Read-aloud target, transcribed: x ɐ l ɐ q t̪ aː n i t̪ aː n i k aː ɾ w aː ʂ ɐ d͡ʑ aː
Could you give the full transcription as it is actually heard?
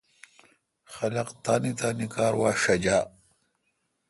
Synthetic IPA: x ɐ l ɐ q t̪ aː n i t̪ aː n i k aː ɾ w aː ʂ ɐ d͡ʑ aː